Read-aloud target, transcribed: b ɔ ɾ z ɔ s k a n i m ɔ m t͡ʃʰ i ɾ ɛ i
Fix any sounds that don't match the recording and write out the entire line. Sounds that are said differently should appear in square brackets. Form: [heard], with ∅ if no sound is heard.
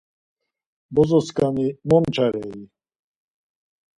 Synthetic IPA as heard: b ɔ [∅] z ɔ s k a n i m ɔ m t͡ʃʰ [a] ɾ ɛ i